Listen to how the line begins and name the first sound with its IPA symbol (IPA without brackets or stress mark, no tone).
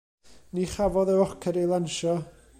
n